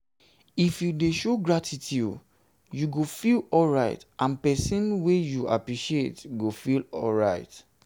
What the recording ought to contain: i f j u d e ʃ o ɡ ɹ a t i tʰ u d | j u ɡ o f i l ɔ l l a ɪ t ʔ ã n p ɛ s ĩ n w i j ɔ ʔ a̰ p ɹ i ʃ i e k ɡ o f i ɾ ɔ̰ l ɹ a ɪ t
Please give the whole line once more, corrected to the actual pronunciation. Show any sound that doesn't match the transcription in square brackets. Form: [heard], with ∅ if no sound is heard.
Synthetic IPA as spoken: i f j u d e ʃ o ɡ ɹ a t i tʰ u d | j u ɡ o f i l ɔ l [ɹ] a ɪ t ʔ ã n p ɛ s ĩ n w [e] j [u] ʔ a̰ p ɹ i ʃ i e [t] ɡ o f i [l] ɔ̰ l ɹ a ɪ t